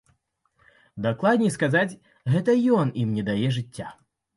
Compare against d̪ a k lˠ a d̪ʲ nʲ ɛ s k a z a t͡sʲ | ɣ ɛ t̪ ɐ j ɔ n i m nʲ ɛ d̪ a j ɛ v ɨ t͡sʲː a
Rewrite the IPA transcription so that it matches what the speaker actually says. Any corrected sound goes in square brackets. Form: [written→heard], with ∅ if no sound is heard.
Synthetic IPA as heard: d̪ a k lˠ a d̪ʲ nʲ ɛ s k a z a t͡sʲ | ɣ ɛ t̪ ɐ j ɔ n i m nʲ ɛ d̪ a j ɛ [v→ʐ] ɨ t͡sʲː a